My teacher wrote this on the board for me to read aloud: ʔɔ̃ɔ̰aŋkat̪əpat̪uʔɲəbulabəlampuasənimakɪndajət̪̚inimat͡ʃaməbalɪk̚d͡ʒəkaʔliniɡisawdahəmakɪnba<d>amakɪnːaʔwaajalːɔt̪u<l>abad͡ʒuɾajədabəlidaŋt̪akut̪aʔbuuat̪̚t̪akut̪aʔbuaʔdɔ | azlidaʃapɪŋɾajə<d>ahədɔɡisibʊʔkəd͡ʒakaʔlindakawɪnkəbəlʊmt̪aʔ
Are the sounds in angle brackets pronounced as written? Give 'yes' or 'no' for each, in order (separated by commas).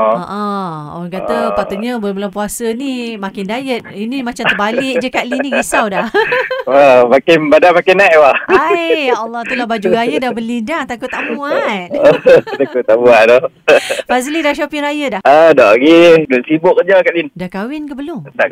yes, yes, yes